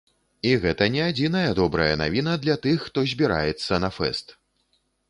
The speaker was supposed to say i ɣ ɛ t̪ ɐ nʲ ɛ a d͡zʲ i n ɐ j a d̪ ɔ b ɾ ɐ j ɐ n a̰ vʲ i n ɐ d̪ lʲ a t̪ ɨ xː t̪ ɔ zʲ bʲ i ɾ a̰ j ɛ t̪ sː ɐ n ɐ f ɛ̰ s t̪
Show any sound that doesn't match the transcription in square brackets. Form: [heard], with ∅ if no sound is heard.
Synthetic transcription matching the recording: i ɣ ɛ t̪ ɐ nʲ ɛ a d͡zʲ i n ɐ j [ɐ] d̪ ɔ b ɾ ɐ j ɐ n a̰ vʲ i n ɐ d̪ lʲ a t̪ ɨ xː t̪ ɔ zʲ bʲ i ɾ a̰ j ɛ t̪ sː ɐ n ɐ f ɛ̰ s t̪